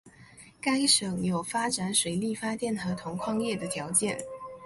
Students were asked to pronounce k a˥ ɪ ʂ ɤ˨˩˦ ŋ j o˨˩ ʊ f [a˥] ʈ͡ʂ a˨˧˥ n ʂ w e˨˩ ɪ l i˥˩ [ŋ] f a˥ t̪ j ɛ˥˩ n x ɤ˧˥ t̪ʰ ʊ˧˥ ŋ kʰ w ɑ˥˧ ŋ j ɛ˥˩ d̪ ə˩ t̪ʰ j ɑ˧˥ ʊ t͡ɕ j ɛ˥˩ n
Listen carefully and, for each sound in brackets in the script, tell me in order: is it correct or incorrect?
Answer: correct, incorrect

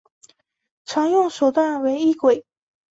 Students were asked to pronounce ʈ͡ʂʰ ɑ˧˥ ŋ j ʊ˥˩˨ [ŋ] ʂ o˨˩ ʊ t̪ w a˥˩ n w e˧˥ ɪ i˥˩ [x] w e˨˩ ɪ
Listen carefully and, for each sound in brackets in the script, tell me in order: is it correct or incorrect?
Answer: correct, incorrect

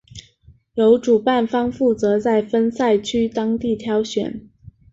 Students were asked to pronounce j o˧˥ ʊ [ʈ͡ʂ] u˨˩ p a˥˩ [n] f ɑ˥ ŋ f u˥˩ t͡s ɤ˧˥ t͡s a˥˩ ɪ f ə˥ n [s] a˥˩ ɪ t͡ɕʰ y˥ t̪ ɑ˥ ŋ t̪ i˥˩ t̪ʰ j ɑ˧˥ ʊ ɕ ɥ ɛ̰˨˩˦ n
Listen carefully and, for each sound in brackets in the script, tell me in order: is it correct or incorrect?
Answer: correct, correct, correct

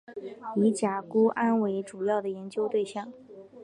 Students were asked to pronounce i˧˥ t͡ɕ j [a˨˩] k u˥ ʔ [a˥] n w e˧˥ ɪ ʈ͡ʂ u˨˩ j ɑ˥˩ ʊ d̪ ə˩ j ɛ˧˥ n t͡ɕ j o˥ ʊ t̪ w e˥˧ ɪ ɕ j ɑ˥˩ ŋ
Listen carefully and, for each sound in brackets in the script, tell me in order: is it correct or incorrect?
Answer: correct, correct

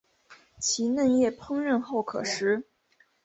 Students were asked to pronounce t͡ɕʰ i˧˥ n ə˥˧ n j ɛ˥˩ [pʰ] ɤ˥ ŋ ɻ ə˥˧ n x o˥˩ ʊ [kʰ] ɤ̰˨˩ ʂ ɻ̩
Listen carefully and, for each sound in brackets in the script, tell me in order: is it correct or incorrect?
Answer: correct, correct

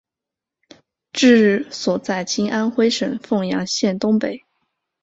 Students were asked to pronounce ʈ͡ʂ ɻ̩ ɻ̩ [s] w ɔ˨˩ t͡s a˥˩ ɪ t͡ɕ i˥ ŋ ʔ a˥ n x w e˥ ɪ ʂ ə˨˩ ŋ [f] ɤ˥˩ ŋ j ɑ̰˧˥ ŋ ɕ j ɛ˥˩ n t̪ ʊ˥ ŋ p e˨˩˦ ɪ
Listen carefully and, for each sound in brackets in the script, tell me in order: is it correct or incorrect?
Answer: correct, correct

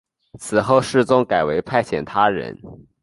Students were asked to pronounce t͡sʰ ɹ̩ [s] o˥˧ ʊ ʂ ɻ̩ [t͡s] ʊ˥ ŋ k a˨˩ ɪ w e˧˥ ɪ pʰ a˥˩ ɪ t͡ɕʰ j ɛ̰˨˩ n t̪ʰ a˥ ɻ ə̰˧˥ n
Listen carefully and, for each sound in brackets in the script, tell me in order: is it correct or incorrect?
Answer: incorrect, correct

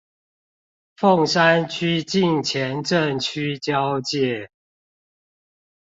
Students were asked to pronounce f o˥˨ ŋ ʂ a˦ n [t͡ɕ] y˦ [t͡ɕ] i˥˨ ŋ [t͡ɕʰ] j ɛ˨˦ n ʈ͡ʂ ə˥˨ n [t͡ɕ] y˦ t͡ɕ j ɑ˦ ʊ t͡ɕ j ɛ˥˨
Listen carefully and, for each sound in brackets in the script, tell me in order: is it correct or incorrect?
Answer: incorrect, correct, correct, incorrect

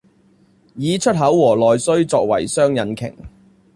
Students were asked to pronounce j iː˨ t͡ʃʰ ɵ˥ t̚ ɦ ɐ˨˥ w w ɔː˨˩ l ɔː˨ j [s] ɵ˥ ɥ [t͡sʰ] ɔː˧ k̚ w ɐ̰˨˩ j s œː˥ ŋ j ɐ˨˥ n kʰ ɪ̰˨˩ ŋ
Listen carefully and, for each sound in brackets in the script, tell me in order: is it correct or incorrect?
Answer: correct, incorrect

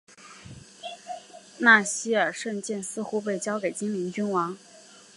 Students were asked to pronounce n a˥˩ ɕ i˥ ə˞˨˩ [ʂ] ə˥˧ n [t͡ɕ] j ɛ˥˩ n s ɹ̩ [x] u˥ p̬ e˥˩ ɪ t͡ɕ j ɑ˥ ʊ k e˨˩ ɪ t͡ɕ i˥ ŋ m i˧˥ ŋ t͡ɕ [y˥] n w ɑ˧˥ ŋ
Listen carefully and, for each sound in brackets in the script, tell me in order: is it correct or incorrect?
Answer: correct, correct, correct, correct

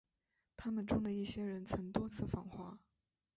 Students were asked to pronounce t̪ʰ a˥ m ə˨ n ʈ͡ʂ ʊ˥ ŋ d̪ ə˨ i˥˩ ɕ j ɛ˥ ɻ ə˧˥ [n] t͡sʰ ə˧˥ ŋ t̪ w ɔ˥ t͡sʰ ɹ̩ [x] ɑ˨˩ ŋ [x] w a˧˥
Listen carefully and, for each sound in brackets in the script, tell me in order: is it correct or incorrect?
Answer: correct, incorrect, correct

